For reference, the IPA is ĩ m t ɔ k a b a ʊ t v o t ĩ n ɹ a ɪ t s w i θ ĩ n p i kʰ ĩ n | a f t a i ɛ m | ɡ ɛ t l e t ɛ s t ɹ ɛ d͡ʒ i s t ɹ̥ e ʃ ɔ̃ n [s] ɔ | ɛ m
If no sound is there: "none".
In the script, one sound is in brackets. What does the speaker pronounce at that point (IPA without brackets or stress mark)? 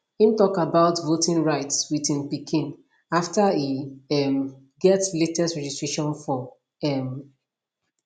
f